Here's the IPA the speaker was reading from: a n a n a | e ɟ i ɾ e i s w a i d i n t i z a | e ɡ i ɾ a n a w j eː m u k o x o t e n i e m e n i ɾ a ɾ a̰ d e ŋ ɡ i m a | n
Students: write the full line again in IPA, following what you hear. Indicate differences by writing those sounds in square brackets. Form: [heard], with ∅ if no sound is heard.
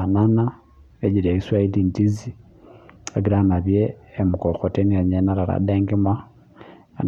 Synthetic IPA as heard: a n a n a | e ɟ i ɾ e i s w a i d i n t i z [i] | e ɡ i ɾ a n a [β] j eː m u k o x o t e n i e [ɲ] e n [a] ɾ a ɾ a̰ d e ŋ ɡ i m a | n